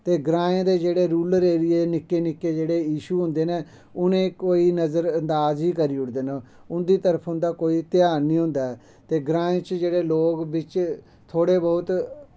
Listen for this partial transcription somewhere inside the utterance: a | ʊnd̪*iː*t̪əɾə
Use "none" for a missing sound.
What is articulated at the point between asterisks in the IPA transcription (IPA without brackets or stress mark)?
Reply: iː